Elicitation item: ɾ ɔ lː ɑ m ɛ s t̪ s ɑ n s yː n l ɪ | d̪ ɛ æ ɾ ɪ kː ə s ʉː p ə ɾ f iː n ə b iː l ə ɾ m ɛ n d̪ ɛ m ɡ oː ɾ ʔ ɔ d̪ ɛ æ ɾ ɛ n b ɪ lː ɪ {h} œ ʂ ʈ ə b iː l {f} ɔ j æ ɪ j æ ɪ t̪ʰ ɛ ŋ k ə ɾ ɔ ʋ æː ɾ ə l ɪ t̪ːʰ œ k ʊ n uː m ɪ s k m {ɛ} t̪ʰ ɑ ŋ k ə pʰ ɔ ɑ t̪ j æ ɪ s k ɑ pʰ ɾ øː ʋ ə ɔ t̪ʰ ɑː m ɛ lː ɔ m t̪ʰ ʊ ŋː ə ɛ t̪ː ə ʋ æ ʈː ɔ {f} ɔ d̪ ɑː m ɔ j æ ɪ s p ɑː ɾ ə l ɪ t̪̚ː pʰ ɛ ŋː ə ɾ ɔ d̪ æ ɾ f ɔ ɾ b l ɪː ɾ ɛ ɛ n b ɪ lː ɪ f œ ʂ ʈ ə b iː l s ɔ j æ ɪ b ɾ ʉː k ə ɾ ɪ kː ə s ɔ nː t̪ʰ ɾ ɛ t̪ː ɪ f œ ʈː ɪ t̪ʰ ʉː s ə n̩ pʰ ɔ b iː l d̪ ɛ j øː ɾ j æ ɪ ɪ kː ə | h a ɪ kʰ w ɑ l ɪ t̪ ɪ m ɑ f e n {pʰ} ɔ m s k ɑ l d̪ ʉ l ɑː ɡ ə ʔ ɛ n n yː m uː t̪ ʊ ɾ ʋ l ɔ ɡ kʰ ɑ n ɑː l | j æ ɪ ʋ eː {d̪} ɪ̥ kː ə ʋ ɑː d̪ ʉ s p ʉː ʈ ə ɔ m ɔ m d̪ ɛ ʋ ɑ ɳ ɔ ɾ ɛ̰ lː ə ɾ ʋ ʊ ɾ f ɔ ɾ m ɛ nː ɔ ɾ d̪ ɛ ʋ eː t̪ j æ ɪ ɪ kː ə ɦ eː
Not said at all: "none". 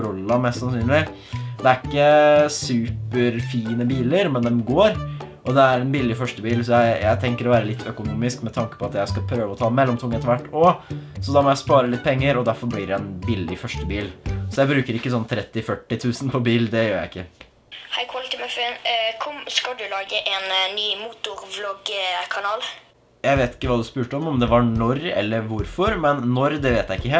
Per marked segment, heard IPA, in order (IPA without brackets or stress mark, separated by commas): f, s, ɛ, s, kʰ, t̪